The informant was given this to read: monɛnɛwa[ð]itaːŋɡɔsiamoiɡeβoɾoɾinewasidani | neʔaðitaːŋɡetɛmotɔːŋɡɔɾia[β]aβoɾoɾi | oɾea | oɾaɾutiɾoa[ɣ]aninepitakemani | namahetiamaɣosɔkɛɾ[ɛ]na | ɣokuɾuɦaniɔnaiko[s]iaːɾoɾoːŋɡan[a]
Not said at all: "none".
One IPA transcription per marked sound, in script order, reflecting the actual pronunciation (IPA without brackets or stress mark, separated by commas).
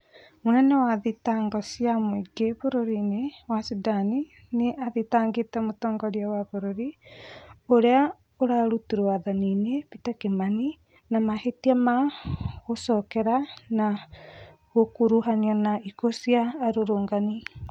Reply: ð, w, ð, a, s, i